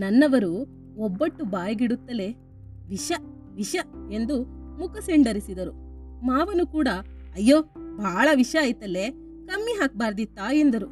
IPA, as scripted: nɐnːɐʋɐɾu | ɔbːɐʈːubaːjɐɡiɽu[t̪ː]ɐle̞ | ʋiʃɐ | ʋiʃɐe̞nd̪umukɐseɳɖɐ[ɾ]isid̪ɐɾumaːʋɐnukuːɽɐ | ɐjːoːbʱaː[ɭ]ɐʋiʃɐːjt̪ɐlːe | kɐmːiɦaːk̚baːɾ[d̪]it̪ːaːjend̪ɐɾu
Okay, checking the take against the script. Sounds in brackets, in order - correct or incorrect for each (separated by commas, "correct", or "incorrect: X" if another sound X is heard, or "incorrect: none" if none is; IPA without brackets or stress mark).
correct, correct, correct, correct